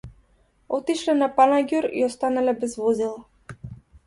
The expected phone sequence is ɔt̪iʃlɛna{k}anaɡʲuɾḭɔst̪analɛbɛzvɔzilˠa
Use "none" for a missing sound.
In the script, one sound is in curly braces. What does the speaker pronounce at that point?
p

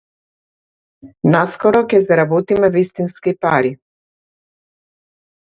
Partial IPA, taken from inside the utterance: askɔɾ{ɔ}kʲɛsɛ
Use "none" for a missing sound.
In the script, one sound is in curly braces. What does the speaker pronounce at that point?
ɔ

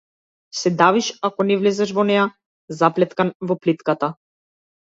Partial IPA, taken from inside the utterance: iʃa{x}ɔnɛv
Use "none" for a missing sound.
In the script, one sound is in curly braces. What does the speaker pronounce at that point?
k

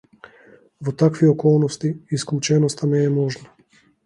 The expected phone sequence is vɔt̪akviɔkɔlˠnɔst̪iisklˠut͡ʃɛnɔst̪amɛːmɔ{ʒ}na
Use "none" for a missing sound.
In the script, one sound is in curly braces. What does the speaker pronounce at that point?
ʒ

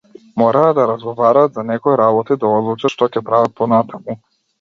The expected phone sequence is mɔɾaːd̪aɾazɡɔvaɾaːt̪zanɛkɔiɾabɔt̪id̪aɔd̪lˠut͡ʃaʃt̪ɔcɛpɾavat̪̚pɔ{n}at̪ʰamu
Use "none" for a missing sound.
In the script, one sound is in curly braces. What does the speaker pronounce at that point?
n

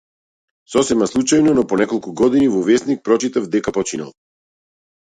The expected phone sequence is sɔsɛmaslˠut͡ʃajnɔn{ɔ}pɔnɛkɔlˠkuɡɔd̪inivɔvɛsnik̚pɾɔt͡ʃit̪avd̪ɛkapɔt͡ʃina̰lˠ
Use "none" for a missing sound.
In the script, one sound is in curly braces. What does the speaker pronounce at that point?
ɔ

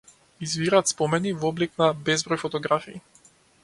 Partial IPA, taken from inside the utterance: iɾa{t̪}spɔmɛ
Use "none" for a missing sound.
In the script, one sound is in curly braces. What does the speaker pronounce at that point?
t̪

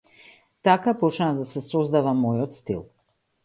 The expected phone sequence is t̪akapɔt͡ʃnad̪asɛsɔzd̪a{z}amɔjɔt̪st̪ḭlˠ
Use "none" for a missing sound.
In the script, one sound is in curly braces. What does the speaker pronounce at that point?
v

